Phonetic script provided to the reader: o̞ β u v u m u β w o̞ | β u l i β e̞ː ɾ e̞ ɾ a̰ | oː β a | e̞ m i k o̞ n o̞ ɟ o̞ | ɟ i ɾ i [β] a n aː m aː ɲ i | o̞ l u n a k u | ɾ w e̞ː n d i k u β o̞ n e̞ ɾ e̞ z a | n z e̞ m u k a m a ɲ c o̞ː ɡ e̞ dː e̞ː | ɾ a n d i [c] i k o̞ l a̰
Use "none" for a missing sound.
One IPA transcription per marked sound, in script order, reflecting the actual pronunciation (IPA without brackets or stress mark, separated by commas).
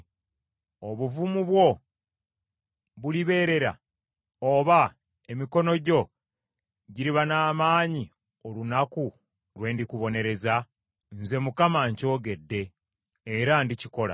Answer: β, c